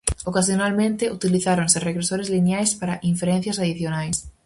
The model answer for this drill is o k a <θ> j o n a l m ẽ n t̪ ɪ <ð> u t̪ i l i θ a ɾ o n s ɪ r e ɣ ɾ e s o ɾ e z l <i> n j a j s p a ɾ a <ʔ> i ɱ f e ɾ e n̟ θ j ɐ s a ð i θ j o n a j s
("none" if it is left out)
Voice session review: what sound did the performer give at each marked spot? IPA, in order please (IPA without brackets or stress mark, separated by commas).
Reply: s, none, i, ʔ